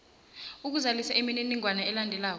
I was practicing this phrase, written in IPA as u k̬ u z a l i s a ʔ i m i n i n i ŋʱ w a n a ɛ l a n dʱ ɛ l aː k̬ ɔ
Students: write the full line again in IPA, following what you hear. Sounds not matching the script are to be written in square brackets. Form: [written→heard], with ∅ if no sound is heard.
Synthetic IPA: u k̬ u z a l i s a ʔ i m i n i n i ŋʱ w a n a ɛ l a n dʱ ɛ l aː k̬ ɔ